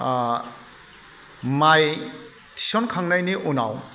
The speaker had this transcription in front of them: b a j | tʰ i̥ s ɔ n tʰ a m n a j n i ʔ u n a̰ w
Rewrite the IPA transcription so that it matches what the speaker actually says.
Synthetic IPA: m a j | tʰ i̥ s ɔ n kʰ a ŋ n a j n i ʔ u n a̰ w